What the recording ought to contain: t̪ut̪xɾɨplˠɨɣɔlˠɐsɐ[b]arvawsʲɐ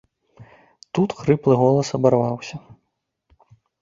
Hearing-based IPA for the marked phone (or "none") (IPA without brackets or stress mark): b